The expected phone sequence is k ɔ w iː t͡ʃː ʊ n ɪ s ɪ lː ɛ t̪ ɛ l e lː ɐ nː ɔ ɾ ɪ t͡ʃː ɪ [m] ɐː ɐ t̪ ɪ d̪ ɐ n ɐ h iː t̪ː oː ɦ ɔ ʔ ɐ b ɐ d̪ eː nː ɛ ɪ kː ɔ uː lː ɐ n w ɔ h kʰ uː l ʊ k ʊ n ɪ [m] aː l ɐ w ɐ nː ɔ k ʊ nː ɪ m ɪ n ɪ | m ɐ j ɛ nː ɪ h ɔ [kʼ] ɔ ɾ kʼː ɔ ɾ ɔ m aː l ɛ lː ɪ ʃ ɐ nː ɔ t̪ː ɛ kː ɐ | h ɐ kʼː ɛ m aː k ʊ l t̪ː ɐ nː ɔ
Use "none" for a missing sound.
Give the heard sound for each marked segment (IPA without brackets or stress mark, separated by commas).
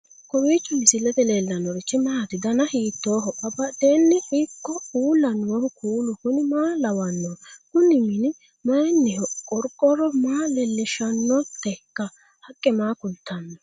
m, m, kʼ